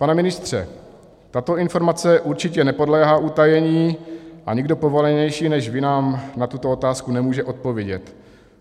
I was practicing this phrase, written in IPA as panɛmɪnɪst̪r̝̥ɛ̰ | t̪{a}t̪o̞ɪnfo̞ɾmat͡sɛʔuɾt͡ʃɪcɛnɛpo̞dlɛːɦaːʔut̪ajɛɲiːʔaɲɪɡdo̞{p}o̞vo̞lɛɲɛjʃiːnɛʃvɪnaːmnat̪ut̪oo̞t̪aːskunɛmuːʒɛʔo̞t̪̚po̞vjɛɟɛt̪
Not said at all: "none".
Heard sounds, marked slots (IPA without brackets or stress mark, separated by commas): a, p